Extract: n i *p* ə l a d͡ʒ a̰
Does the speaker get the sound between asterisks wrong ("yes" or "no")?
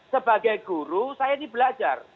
yes